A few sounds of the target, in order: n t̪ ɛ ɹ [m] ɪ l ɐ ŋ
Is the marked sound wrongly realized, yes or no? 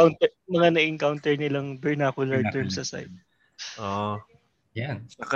yes